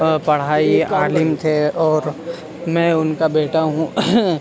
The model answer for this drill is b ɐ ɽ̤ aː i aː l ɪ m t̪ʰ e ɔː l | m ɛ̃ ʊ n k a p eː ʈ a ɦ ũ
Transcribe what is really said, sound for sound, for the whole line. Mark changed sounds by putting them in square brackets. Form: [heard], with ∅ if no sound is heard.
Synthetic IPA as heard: [p] ɐ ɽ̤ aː i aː l ɪ m t̪ʰ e ɔː [ɾ] | m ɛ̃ ʊ n k a [b] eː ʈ a ɦ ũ